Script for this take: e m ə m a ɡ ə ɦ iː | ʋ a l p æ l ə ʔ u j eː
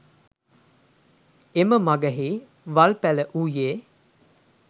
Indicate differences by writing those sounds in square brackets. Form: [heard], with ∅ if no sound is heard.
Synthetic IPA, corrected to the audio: e m ə m a ɡ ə ɦ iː | ʋ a l p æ l ə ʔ u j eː